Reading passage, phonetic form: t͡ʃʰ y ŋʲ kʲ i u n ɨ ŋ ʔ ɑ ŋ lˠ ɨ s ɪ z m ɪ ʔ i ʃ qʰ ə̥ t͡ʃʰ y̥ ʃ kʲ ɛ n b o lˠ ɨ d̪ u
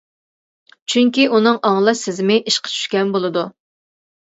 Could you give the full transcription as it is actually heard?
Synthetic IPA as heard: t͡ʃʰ y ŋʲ kʲ i u n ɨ ŋ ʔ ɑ ŋ lˠ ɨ s ɪ z m ɪ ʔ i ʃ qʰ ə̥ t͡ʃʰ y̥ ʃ kʲ ɛ n b o lˠ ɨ d̪ u